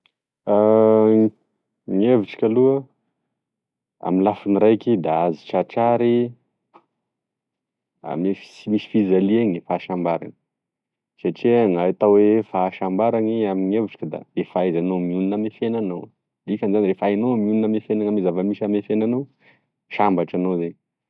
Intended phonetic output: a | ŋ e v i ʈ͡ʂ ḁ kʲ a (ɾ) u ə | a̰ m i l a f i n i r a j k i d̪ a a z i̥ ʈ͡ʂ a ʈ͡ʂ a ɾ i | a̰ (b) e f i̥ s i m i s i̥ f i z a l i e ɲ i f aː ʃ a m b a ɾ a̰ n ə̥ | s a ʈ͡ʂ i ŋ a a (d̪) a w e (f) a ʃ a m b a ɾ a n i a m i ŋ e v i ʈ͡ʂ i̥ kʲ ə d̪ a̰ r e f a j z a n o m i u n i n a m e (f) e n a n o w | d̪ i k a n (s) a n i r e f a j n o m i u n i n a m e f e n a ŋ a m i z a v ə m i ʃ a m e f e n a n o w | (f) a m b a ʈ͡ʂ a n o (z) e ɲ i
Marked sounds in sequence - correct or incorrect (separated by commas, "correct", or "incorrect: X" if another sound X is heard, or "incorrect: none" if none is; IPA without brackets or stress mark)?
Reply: incorrect: l, incorrect: m, incorrect: t̪, correct, correct, incorrect: z, incorrect: ʃ, correct